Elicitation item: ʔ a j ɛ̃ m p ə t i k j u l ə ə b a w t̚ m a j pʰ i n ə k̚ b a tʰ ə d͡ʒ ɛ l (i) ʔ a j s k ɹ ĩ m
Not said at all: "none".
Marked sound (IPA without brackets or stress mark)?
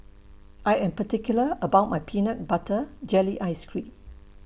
i